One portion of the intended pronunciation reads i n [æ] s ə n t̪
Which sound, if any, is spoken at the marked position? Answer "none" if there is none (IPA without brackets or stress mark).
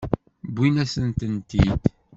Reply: æ